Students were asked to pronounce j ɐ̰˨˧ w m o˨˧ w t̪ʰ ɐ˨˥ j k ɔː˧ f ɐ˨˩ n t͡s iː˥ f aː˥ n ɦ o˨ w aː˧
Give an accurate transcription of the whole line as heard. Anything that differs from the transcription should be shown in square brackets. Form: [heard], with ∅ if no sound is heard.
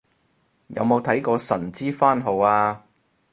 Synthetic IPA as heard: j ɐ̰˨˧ w m o˨˧ w t̪ʰ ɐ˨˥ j k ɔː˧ [s] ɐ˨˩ n t͡s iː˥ f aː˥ n ɦ o˨ w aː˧

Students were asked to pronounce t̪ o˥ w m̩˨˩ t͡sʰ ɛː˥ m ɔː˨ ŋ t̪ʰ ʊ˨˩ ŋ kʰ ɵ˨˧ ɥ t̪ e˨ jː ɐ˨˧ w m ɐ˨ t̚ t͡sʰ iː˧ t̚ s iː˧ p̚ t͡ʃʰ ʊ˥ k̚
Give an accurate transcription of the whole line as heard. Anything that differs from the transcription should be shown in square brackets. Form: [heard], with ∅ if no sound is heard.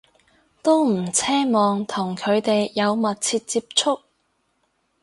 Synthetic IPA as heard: t̪ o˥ w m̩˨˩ t͡sʰ ɛː˥ m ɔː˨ ŋ t̪ʰ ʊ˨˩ ŋ kʰ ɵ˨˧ ɥ t̪ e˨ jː ɐ˨˧ w m ɐ˨ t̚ t͡sʰ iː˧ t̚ [t͡s] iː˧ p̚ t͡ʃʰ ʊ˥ k̚

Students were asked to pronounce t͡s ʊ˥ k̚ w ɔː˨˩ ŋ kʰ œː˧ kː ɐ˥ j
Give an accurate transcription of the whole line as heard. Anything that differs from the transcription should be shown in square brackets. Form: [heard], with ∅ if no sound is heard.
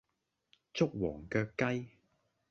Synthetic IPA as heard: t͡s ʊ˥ k̚ w ɔː˨˩ ŋ [k] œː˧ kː ɐ˥ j

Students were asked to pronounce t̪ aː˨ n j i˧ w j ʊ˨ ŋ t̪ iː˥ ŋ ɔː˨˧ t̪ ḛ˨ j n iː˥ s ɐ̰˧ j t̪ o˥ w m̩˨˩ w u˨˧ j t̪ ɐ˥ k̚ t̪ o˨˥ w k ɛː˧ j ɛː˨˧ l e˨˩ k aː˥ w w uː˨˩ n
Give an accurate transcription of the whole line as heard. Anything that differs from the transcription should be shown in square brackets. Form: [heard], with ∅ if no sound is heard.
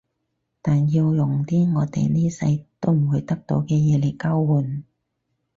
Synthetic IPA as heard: t̪ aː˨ n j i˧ w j ʊ˨ ŋ t̪ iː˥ ŋ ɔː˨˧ t̪ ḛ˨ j n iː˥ s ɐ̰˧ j t̪ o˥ w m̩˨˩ w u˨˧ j t̪ ɐ˥ k̚ t̪ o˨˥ w k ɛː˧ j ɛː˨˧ l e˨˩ k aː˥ w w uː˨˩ n

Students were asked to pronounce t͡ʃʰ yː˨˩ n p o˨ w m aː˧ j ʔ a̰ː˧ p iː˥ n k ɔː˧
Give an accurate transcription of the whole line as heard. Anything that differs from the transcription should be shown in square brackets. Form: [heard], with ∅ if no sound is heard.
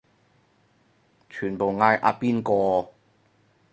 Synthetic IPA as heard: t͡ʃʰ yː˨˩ n p o˨ w [ŋ] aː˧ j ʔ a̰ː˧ p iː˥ n k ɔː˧

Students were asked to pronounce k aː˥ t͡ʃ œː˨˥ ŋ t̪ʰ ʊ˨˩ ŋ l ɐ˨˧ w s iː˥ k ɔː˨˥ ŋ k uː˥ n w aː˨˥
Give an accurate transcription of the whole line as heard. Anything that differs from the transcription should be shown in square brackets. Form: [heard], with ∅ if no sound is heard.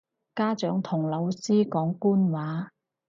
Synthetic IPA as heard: k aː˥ t͡ʃ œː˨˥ ŋ t̪ʰ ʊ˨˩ ŋ l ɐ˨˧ w s iː˥ k ɔː˨˥ ŋ k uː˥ n w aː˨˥

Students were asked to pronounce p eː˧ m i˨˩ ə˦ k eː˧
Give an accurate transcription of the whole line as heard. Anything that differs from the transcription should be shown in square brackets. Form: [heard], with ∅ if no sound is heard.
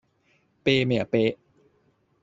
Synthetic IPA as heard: p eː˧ m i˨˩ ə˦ [p] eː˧

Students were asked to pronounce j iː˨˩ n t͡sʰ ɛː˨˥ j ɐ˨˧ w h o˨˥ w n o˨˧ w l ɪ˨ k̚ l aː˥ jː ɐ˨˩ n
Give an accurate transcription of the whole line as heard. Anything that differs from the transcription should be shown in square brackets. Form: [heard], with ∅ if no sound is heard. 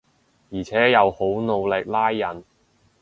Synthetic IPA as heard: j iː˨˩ [∅] t͡sʰ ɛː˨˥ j ɐ˨˧ w h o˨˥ w n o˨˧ w l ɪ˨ k̚ l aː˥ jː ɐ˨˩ n

